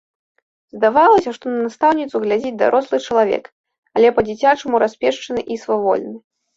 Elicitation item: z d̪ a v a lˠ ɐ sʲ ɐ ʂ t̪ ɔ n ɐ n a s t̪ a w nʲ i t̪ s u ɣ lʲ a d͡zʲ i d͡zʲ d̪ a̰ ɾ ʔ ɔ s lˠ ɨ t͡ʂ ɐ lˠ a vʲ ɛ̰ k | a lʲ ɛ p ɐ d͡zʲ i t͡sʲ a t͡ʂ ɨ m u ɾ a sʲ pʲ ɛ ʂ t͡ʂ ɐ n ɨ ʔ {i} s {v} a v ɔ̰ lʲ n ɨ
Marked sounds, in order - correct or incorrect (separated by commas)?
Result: correct, correct